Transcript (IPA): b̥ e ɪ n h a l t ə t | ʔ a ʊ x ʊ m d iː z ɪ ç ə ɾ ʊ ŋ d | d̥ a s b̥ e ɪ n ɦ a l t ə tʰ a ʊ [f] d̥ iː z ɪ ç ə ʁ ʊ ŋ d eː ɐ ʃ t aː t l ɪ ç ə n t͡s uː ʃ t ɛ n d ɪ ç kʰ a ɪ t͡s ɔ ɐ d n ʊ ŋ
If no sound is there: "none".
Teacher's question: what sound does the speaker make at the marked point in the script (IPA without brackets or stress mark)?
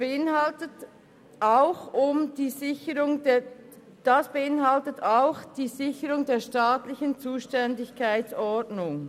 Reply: x